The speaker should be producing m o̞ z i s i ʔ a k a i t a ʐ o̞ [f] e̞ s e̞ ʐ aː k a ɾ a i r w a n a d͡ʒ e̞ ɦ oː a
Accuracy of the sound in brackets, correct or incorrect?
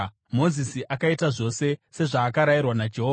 incorrect: s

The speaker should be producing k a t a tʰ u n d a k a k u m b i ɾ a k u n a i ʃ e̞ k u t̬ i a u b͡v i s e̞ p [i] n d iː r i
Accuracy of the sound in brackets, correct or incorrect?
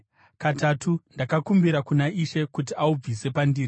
incorrect: a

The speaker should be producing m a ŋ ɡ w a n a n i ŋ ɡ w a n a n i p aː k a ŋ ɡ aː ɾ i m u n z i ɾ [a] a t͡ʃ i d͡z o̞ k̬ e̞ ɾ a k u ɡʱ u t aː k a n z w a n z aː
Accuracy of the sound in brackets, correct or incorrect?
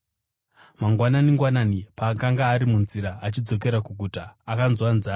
correct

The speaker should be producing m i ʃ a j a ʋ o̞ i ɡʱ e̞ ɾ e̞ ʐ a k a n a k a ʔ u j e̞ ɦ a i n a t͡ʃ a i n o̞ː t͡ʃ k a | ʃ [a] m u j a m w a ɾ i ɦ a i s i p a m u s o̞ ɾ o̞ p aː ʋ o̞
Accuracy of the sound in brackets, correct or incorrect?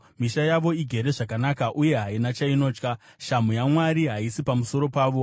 correct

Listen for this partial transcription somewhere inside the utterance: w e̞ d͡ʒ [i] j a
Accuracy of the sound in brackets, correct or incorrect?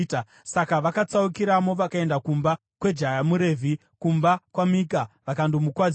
incorrect: a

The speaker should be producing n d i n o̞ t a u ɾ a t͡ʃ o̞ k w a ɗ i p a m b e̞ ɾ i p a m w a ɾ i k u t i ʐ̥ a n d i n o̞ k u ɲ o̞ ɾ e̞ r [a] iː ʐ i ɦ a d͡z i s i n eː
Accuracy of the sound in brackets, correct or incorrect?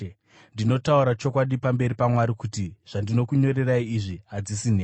correct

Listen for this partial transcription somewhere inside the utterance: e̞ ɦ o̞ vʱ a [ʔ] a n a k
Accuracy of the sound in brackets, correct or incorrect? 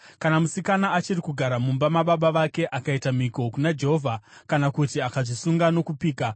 incorrect: k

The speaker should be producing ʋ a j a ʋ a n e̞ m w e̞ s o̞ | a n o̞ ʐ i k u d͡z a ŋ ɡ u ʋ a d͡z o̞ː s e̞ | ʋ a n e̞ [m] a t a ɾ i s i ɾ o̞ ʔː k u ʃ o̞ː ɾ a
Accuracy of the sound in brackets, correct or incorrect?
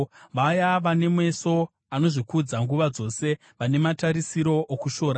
correct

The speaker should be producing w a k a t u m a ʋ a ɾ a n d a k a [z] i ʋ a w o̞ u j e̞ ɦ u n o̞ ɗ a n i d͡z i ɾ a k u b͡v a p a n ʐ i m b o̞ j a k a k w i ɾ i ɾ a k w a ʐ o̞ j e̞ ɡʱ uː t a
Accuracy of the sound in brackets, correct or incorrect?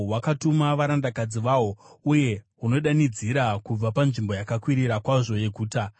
incorrect: d͡z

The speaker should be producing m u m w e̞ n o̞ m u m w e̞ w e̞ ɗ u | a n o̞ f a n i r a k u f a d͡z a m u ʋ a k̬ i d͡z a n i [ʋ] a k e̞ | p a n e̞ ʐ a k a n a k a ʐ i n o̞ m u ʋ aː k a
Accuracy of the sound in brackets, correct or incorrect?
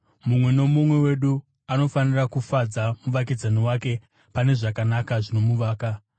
incorrect: w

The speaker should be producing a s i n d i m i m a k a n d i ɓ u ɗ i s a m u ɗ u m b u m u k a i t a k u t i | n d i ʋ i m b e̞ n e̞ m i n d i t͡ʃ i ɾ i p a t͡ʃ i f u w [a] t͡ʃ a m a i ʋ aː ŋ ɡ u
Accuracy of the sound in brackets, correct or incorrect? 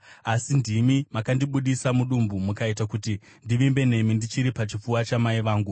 correct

